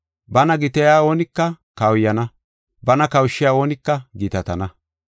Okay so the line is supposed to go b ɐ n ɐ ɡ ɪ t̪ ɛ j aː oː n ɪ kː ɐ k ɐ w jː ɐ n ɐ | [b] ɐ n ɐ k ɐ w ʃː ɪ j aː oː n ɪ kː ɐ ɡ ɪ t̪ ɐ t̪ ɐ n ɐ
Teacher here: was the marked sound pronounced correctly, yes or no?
yes